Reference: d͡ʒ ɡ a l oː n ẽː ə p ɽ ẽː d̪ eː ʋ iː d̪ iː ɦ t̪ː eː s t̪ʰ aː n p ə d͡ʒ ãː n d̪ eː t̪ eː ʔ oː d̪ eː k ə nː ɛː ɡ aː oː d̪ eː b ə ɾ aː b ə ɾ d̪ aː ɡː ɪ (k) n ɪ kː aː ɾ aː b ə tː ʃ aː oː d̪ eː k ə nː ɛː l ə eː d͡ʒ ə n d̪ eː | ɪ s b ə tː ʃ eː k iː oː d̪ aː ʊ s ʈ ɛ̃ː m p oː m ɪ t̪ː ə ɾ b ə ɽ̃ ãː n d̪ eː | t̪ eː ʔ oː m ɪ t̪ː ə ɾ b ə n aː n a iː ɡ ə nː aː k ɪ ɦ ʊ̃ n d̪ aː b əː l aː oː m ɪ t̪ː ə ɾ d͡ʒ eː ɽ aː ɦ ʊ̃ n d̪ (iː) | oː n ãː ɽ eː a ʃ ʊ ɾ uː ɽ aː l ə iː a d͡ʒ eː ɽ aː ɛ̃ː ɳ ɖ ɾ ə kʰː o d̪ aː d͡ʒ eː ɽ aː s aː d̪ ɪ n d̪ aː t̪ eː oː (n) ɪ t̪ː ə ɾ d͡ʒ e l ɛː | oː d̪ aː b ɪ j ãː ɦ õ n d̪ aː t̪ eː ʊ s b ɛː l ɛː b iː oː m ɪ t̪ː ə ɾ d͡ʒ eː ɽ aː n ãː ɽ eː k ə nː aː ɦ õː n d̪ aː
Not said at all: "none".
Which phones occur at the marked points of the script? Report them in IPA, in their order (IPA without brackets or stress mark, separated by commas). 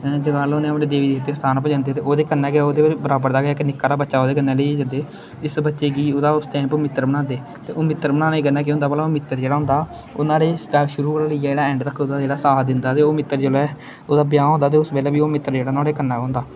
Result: k, aː, m